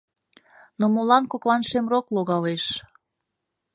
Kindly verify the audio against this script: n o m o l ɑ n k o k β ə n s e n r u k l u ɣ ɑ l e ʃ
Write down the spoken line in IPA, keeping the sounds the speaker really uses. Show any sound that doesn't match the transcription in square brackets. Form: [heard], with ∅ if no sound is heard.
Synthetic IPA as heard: n o m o l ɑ n k o k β [ɑ] n [ʃ] e [m] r [o] k l [o] ɣ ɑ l e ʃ